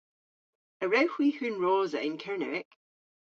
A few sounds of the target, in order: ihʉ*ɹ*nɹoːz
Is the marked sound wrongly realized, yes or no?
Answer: yes